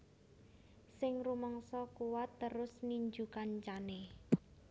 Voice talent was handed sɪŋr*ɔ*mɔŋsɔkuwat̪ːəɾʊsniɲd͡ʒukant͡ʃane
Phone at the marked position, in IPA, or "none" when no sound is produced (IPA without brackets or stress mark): u